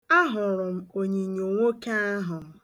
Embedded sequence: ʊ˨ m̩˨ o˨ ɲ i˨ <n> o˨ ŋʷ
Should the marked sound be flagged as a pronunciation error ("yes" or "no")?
yes